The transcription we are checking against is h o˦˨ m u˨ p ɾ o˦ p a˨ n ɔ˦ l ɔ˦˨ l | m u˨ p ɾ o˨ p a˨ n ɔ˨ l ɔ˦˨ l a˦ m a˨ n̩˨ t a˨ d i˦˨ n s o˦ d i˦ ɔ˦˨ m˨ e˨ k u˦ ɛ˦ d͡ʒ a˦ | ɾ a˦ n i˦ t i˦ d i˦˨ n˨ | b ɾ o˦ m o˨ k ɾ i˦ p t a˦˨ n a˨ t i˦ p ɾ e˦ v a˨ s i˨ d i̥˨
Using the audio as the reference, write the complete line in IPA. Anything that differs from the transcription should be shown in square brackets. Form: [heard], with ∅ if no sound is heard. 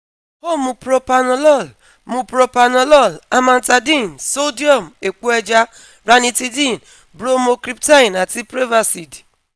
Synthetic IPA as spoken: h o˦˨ m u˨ p ɾ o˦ p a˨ n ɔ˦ l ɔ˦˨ l | m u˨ p ɾ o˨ p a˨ n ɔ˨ l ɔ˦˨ l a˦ m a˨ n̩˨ t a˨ d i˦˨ n s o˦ d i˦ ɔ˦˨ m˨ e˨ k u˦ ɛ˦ d͡ʒ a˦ | ɾ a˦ n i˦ t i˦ d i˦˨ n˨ | b ɾ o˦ m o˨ k ɾ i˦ p t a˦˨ n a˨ t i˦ p ɾ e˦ v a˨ s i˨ d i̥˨

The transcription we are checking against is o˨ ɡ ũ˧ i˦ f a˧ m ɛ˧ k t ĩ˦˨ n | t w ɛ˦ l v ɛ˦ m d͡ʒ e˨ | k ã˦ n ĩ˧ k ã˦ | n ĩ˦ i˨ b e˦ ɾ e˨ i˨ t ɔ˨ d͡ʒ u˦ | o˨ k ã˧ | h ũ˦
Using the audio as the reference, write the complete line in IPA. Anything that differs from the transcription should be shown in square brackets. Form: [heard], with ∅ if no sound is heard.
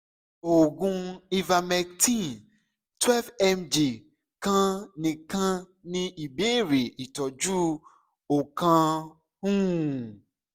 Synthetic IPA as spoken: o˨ ɡ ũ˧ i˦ [v] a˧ m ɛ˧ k t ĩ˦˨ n | t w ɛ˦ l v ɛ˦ m d͡ʒ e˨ | k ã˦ n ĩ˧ k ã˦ | n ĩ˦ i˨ b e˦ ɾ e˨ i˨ t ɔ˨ d͡ʒ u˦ | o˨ k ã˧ | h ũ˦

